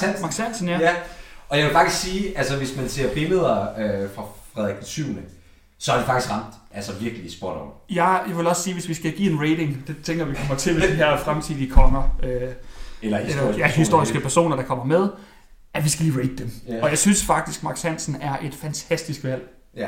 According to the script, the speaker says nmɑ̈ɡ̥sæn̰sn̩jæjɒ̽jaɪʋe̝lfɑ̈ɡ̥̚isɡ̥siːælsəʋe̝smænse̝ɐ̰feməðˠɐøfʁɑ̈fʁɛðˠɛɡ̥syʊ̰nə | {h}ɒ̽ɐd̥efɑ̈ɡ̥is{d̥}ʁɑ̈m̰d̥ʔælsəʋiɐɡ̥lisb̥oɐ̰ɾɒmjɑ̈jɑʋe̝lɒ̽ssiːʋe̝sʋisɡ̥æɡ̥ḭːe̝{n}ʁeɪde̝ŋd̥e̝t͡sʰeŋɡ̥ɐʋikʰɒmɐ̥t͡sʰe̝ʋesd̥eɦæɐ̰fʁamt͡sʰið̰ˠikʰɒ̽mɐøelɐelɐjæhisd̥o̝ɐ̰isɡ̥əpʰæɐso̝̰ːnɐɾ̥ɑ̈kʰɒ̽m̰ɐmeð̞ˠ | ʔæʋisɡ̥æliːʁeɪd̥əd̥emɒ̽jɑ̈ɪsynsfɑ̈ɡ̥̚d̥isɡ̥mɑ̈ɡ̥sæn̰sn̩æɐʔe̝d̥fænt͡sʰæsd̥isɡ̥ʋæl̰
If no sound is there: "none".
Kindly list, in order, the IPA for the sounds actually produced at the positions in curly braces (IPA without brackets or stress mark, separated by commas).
s, ɡ̥, n